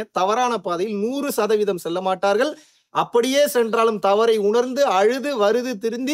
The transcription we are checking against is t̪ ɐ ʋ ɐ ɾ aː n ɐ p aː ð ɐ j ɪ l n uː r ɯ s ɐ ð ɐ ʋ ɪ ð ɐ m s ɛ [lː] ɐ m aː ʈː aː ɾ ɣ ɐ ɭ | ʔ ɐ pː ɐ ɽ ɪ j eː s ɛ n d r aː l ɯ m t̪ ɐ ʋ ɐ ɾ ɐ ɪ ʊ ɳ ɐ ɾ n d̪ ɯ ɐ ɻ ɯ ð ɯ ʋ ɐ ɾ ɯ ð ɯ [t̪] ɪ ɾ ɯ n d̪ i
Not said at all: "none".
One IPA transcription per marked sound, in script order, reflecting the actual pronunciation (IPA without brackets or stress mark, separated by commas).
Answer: lː, t̪